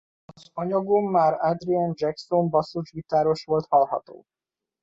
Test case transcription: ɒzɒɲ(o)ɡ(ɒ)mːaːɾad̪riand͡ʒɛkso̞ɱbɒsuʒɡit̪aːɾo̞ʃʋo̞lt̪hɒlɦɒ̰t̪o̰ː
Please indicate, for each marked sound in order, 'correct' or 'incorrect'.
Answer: incorrect: ɒ, incorrect: o

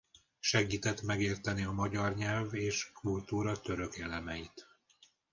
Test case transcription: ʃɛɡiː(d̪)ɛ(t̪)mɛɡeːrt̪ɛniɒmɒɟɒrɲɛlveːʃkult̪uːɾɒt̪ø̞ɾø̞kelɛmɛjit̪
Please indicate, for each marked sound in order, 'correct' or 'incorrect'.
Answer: incorrect: t̪, correct

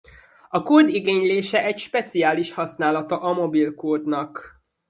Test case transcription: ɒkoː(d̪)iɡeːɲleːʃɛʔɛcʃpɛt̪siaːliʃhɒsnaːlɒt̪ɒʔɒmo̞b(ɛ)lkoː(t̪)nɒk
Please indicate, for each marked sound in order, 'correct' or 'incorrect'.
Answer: correct, incorrect: i, incorrect: d̪

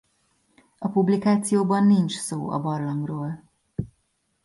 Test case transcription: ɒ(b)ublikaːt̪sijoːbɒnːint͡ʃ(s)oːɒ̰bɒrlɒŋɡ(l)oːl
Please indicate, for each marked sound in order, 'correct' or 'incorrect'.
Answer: incorrect: p, correct, incorrect: r

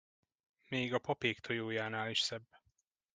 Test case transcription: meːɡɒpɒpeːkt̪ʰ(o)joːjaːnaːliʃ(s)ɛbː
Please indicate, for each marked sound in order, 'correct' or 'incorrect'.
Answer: correct, correct

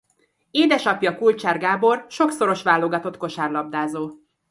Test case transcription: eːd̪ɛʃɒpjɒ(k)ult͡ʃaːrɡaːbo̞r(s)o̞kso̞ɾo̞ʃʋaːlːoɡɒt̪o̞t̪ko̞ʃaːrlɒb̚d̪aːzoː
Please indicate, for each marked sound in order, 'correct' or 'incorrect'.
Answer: correct, incorrect: ʃ

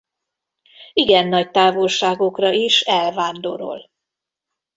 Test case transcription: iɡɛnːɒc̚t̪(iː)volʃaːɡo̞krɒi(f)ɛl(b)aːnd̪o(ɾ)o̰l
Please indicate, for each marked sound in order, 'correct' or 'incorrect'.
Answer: incorrect: aː, incorrect: ʃ, incorrect: v, correct

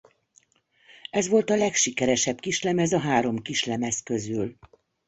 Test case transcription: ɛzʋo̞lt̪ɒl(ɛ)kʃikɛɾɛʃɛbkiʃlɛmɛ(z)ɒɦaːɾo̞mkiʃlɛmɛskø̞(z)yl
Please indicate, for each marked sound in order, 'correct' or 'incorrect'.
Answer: correct, correct, correct

